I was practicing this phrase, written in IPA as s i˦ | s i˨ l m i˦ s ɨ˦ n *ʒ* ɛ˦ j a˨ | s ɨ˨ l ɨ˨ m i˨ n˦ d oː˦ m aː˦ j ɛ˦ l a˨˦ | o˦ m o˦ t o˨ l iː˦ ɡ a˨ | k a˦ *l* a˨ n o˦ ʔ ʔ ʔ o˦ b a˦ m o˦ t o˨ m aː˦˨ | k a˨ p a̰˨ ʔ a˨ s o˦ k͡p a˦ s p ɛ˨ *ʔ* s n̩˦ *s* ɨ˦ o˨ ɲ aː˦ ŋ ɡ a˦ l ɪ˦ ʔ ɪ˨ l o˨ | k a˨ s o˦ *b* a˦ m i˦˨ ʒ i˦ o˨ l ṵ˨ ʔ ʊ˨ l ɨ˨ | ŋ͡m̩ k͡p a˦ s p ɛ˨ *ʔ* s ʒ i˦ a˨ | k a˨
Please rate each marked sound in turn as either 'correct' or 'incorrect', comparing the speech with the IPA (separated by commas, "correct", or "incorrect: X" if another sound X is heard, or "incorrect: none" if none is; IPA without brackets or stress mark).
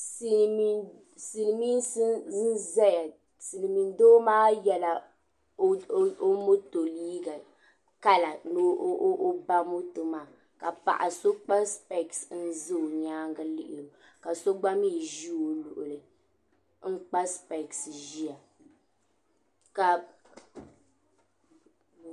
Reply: incorrect: z, correct, incorrect: k, incorrect: z, incorrect: ɡ͡b, incorrect: k